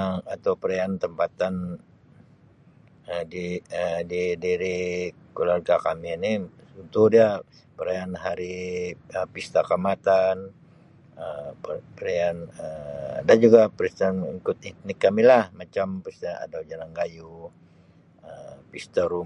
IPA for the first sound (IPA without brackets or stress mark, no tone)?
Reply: a